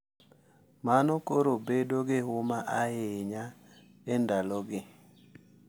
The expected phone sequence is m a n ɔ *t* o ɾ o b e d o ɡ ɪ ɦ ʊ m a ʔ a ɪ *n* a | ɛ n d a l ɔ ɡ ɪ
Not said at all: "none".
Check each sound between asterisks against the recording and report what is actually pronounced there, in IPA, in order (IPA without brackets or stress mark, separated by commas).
k, ɲ